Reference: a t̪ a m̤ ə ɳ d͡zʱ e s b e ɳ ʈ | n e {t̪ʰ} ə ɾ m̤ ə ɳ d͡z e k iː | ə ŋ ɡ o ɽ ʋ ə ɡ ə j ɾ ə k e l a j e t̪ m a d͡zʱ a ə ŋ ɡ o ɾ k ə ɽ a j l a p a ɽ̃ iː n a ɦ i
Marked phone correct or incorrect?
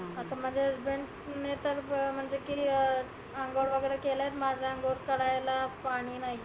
incorrect